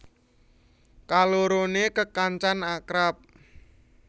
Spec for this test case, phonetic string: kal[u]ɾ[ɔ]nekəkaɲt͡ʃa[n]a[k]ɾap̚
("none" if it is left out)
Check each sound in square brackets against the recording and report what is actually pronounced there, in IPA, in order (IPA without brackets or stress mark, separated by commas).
o, o, n, k